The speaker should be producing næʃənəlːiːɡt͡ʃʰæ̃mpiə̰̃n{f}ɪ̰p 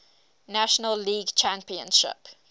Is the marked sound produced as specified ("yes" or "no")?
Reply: no